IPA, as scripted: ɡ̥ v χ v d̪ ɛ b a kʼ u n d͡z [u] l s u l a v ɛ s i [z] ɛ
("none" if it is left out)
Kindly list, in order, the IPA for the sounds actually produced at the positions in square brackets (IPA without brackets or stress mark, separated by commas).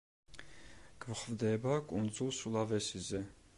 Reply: u, z